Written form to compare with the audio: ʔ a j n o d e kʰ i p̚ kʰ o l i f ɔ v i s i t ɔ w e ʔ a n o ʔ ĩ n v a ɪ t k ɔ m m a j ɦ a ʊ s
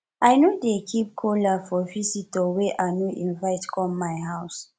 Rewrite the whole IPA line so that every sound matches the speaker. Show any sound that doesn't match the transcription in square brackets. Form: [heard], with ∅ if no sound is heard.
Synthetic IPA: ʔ a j n o d e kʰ i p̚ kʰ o l [a] f ɔ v i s i t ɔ w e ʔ a n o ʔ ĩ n v a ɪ t k ɔ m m a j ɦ a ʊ s